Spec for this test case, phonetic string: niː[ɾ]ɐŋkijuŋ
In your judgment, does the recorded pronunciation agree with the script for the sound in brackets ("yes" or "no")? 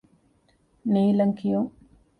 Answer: no